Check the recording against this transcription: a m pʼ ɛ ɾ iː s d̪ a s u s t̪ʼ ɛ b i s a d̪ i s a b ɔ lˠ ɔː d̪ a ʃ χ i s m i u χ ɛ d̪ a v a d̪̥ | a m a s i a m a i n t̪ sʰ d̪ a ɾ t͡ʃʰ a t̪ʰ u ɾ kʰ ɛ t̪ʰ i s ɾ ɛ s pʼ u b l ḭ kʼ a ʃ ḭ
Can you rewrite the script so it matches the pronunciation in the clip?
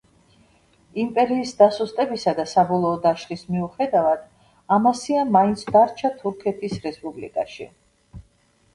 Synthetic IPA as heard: i m pʼ ɛ ɾ iː s d̪ a s u s t̪ʼ ɛ b i s a d̪ a s a b ɔ lˠ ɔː d̪ a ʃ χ i s m i u χ ɛ d̪ a v a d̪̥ | a m a s i a m a i n t̪ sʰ d̪ a ɾ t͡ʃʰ a t̪ʰ u ɾ kʰ ɛ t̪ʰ i s ɾ ɛ s pʼ u b l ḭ kʼ a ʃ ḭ